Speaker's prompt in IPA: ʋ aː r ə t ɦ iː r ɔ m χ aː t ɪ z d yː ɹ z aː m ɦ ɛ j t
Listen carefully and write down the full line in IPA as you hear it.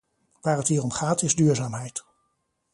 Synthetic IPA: ʋ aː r ə t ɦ iː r ɔ m χ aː t ɪ z d yː ɹ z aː m ɦ ɛ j t